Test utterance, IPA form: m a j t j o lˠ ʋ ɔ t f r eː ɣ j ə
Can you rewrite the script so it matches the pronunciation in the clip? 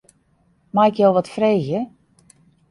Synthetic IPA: m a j k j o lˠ ʋ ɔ t f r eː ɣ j ə